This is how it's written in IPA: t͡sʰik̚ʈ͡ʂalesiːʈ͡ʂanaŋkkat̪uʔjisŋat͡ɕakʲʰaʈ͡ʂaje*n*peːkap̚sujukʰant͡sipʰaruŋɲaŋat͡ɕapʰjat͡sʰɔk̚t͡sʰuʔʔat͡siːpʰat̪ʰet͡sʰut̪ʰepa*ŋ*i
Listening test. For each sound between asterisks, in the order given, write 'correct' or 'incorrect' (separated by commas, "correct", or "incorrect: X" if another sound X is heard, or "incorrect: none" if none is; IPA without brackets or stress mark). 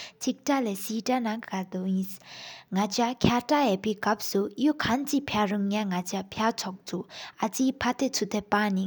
incorrect: none, incorrect: n